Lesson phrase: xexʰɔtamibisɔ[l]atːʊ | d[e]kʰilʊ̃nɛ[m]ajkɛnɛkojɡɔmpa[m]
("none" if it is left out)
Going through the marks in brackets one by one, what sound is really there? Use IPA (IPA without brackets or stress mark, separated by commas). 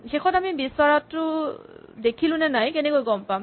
ɹ, e, n, m